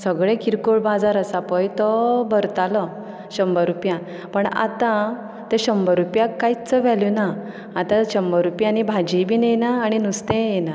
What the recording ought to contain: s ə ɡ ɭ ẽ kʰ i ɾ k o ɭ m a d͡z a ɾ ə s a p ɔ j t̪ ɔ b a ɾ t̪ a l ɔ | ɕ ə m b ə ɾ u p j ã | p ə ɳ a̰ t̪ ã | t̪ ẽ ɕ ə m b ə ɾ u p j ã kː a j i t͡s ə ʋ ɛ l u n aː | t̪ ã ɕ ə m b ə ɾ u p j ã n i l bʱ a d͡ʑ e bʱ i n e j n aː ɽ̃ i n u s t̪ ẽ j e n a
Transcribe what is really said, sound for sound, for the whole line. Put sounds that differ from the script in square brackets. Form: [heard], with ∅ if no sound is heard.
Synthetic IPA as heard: s ə ɡ ɭ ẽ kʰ i ɾ k o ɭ [b] a d͡z a ɾ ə s a p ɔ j t̪ ɔ b [ə] ɾ t̪ a l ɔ | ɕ ə m b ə ɾ u p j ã | p ə ɳ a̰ t̪ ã | t̪ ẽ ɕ ə m b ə ɾ u p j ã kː a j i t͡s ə ʋ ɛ l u n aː | t̪ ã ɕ ə m b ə ɾ u p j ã n i [∅] bʱ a d͡ʑ [i] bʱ i n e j n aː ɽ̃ i n u s t̪ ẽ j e n a